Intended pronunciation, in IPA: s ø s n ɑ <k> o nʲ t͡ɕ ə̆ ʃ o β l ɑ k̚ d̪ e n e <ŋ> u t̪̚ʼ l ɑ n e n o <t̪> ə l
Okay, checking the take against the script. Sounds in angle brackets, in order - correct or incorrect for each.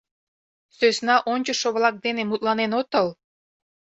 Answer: incorrect: ʔ, incorrect: m, correct

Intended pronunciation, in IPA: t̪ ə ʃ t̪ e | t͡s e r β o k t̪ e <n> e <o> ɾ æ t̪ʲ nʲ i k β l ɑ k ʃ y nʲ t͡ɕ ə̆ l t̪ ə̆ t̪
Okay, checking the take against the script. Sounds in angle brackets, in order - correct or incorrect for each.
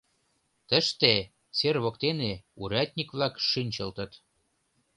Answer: correct, incorrect: u

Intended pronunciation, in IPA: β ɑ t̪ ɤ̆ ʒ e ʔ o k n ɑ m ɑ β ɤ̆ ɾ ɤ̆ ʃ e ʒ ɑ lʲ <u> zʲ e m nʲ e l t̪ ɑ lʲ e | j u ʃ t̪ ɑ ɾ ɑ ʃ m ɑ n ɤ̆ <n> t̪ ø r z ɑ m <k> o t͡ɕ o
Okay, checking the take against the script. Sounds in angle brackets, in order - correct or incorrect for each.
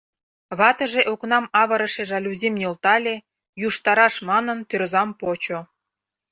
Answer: correct, correct, incorrect: p

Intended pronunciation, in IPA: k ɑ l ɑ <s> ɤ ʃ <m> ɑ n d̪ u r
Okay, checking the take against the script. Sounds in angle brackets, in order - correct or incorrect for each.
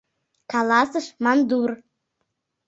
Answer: correct, correct

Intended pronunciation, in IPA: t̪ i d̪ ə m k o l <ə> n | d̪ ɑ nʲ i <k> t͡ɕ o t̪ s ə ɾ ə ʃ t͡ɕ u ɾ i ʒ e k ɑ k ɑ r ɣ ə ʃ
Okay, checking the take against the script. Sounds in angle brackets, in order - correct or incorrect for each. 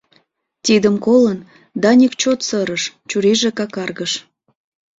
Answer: correct, correct

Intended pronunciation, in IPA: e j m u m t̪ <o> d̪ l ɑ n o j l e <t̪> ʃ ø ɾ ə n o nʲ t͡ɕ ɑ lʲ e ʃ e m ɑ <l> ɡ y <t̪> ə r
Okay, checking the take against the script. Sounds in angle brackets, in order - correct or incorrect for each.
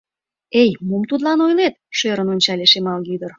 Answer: incorrect: u, correct, correct, incorrect: d̪

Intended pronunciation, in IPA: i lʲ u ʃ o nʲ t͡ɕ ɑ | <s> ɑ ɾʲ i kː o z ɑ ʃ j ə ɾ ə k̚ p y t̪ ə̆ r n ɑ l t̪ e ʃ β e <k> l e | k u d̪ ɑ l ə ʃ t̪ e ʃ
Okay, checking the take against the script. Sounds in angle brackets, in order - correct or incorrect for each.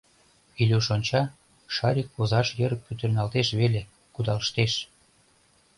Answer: incorrect: ʃ, incorrect: none

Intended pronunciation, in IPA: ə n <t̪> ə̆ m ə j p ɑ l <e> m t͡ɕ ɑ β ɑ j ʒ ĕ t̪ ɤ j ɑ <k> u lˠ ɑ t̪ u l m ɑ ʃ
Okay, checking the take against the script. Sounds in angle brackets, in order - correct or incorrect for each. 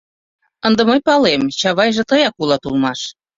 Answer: incorrect: d̪, correct, correct

